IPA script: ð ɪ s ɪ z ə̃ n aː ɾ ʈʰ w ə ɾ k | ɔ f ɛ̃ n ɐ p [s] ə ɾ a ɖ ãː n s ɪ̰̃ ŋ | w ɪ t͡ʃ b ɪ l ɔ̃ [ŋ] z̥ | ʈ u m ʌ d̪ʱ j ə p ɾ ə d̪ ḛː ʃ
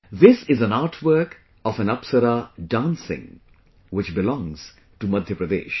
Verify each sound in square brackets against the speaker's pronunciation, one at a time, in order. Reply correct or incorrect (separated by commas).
correct, correct